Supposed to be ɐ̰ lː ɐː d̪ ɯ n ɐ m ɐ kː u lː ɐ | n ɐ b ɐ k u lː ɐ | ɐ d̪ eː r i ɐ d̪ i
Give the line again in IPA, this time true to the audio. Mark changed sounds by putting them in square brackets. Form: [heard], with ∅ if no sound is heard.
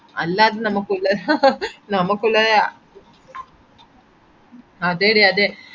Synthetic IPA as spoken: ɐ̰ lː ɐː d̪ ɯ n ɐ m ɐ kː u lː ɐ | n ɐ [m] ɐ k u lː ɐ | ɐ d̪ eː [ɽ] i ɐ d̪ [e]